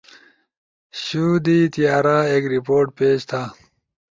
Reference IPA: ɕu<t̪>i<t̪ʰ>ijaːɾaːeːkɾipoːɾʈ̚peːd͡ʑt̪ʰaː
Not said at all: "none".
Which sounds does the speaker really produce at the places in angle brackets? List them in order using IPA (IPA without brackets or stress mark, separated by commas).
d̪, t̪